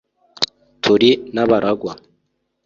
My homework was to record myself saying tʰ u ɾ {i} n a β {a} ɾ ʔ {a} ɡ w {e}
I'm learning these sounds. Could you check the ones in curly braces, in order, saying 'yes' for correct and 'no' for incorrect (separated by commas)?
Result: yes, yes, yes, no